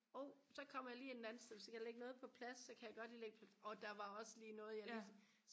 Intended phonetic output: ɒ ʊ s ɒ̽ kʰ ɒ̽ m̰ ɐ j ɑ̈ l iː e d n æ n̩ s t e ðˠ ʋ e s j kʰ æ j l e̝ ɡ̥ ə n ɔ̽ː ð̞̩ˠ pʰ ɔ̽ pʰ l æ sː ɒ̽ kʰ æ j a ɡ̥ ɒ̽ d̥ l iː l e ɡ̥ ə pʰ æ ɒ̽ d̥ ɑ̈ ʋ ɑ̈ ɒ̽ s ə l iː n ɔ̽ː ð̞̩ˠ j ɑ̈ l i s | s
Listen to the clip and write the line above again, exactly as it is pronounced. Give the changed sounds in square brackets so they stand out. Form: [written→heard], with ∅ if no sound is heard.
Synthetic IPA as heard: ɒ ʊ s ɒ̽ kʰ ɒ̽ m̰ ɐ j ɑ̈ l iː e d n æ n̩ s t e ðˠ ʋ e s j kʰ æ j l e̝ ɡ̥ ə n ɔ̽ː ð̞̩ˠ pʰ [ɔ̽→ɒ̽] pʰ l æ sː ɒ̽ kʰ æ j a ɡ̥ ɒ̽ d̥ l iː l e ɡ̥ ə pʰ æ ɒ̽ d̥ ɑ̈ ʋ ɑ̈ ɒ̽ s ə l iː n ɔ̽ː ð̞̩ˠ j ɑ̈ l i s | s